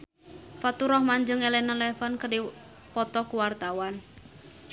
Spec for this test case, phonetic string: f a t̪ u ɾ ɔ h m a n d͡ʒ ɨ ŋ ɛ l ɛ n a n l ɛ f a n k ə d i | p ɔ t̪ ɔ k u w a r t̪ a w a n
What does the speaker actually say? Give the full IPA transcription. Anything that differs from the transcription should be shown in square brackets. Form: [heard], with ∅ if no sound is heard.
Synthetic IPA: f a t̪ u ɾ ɔ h m a [ɲ] d͡ʒ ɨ ŋ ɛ l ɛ n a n l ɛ f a n k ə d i | p ɔ t̪ ɔ k u w a r t̪ a w a n